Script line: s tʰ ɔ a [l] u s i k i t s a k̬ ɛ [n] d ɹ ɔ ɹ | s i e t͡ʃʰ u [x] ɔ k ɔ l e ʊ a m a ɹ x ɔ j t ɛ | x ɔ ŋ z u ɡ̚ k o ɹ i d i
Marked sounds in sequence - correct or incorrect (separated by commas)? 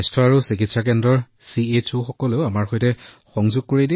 incorrect, correct, correct